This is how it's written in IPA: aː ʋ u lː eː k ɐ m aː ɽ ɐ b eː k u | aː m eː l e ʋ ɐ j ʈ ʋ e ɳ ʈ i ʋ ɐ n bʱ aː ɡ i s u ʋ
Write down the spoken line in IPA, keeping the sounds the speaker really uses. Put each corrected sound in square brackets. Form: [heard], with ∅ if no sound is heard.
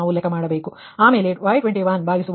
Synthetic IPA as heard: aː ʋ u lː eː k ɐ m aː ɽ ɐ b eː k u | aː m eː l e ʋ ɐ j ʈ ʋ e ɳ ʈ i ʋ ɐ n bʱ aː ɡ i s u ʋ